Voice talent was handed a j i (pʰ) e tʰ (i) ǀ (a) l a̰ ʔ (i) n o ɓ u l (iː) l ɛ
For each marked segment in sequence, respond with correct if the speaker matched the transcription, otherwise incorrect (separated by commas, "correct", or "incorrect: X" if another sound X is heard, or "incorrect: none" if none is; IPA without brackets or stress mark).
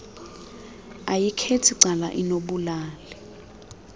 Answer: incorrect: kʰ, correct, correct, correct, incorrect: aː